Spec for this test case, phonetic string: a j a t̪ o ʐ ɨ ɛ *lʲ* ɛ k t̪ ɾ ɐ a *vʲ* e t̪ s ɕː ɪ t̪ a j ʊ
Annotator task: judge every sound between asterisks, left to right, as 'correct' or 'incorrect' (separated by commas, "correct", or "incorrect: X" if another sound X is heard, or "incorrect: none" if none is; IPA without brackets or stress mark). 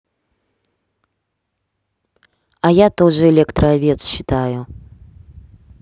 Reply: correct, correct